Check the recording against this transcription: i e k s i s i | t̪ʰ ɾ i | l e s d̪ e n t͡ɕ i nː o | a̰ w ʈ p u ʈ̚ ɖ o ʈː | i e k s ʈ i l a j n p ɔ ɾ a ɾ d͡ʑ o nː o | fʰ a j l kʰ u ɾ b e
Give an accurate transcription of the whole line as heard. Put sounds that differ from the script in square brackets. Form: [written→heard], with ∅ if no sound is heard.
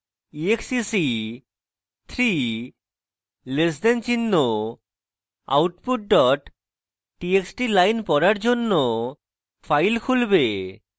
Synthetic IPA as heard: i e k s i s i | t̪ʰ ɾ i | l e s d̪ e n t͡ɕ i nː o | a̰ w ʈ p u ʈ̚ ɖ [o→ɔ] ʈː | i e k s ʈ i l a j n p ɔ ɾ a ɾ d͡ʑ o nː o | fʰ a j l kʰ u [ɾ→l] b e